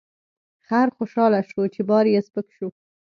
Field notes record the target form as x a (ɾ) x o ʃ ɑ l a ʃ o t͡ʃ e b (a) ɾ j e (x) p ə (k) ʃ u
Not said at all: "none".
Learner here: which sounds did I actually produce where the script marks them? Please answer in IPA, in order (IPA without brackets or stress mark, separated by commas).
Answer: ɾ, ɑ, s, k